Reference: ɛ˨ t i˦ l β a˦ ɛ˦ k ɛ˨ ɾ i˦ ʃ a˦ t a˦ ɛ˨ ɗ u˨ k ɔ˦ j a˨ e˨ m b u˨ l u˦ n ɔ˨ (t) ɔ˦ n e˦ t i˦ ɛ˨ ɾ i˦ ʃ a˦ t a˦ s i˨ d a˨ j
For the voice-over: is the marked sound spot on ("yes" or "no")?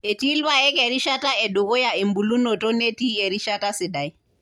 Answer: yes